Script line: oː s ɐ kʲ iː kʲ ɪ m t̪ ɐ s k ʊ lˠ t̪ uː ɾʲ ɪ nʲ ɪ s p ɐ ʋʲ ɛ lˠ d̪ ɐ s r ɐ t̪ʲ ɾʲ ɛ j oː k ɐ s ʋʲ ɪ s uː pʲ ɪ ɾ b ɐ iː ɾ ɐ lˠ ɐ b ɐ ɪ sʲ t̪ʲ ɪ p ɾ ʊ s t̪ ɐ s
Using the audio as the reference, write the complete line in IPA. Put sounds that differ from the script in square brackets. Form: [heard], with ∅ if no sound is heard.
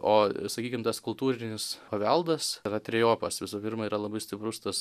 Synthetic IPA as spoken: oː s ɐ kʲ iː kʲ ɪ m t̪ ɐ s k ʊ lˠ t̪ uː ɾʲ ɪ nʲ ɪ s p ɐ ʋʲ ɛ lˠ d̪ ɐ s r ɐ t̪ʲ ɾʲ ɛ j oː [p] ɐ s ʋʲ ɪ s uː pʲ ɪ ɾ [m] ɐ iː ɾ ɐ lˠ ɐ b ɐ ɪ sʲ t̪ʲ ɪ p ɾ ʊ s t̪ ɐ s